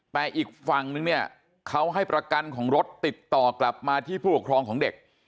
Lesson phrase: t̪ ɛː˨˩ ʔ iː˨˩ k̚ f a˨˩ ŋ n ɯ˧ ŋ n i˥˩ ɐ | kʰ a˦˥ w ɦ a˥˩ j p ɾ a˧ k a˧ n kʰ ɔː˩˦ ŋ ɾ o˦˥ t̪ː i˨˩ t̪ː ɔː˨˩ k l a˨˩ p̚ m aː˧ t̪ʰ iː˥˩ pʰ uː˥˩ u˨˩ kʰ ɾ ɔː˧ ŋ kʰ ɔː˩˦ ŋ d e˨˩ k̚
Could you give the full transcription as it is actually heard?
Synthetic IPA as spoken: t̪ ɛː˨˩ ʔ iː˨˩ k̚ f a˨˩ ŋ n ɯ˧ ŋ n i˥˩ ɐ | kʰ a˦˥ w ɦ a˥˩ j p ɾ a˧ k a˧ n kʰ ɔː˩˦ ŋ ɾ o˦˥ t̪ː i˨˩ t̪ː ɔː˨˩ k l a˨˩ p̚ m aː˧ t̪ʰ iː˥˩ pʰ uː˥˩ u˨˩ kʰ ɾ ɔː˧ ŋ kʰ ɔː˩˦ ŋ d e˨˩ k̚